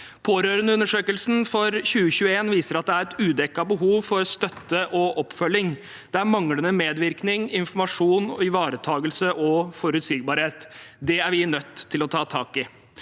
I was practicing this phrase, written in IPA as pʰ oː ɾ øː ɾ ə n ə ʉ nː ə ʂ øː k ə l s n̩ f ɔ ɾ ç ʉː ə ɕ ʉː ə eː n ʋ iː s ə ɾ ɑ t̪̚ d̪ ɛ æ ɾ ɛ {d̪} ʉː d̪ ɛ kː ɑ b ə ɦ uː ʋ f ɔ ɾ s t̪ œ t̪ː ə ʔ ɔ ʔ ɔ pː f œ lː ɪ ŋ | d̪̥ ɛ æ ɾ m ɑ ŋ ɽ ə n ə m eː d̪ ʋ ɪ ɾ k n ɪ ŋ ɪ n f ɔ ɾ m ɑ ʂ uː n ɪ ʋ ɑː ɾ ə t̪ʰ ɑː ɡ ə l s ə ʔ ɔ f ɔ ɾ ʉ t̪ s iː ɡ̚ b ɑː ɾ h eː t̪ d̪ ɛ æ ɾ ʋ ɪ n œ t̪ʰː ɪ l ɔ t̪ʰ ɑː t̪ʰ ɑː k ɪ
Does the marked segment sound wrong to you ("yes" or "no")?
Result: yes